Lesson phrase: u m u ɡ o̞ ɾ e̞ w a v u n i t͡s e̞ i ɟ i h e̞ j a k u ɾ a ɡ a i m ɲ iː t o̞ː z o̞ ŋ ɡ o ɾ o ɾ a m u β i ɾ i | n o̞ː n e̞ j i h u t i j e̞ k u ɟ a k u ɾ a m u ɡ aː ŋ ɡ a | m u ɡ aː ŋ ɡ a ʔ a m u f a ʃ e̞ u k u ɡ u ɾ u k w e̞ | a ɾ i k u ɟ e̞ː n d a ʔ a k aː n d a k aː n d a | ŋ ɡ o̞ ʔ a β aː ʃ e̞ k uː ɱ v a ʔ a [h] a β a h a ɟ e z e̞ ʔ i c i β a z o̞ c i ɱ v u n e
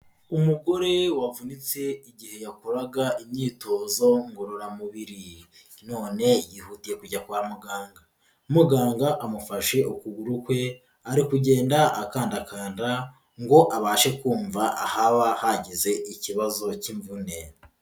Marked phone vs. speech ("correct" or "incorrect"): correct